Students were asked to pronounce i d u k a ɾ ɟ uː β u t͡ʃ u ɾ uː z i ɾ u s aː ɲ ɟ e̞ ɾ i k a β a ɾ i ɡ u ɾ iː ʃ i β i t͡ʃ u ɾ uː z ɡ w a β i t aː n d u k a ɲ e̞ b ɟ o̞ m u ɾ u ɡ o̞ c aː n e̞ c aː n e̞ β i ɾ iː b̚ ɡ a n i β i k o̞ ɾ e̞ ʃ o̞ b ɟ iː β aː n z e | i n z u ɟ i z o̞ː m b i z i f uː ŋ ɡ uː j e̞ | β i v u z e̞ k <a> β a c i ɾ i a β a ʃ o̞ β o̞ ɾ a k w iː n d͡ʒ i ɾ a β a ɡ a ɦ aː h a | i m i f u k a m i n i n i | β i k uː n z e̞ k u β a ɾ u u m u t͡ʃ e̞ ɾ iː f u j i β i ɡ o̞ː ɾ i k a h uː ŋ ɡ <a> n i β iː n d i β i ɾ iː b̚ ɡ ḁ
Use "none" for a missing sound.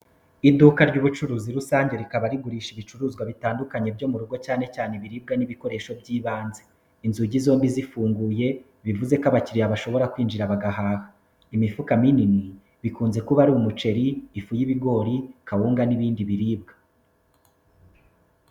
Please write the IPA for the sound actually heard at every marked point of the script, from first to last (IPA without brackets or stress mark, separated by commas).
a, a